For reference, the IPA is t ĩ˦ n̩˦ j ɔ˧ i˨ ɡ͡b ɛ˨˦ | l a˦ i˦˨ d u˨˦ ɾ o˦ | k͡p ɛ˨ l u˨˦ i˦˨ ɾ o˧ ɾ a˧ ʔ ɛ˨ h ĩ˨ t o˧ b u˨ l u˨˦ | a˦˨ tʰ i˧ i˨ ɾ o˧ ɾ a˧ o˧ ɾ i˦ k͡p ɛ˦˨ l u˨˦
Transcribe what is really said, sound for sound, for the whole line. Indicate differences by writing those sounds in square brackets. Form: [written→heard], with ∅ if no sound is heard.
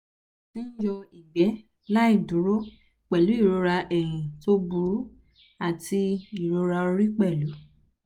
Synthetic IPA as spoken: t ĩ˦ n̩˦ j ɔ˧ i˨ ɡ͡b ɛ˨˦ | l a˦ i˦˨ d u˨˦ ɾ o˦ | k͡p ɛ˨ l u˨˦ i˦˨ ɾ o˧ ɾ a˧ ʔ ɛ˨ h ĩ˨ t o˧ b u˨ [l→ɾ] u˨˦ | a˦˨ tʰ i˧ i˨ ɾ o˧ ɾ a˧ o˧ ɾ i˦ k͡p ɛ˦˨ l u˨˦